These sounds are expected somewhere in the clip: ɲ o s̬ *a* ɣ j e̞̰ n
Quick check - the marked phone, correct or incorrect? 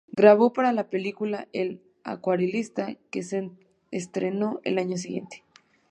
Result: incorrect